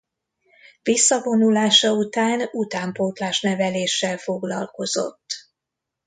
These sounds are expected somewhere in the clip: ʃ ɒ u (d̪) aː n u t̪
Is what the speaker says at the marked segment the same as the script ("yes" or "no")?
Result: no